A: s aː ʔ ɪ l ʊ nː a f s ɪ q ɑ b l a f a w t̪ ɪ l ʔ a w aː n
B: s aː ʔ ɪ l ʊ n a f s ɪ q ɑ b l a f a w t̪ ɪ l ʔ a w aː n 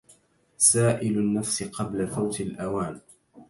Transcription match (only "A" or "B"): A